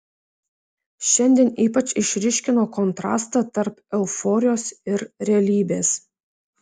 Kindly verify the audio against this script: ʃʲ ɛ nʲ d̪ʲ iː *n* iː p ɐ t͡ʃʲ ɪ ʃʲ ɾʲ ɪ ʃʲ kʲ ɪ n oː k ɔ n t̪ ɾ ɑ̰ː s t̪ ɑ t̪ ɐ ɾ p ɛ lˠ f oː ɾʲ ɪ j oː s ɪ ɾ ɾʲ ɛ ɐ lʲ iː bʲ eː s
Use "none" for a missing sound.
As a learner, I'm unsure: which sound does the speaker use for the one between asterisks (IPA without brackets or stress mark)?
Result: n